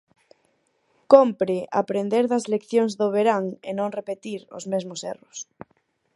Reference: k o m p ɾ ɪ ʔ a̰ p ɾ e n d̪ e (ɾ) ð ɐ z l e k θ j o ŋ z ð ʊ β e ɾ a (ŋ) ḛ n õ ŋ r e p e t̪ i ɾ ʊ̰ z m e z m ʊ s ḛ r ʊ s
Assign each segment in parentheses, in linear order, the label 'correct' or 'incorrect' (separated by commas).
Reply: correct, correct